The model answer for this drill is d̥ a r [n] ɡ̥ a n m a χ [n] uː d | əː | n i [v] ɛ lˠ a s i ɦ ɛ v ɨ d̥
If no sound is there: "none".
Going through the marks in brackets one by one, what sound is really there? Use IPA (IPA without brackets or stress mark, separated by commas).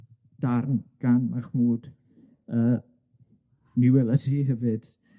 n, m, w